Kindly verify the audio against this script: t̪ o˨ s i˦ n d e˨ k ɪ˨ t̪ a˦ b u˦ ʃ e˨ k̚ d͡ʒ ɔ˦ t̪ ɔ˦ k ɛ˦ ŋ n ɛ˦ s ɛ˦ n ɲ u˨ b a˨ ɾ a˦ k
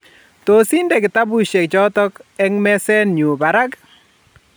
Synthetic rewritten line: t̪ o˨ s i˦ n d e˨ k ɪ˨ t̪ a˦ b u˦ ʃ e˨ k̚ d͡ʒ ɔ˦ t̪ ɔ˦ k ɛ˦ ŋ m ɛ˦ s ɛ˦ n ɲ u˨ b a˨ ɾ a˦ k